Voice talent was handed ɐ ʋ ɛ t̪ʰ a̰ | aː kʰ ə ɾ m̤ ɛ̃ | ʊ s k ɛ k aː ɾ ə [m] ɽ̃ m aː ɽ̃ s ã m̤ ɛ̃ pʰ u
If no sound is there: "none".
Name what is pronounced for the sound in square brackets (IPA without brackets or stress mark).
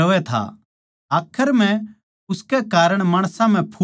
none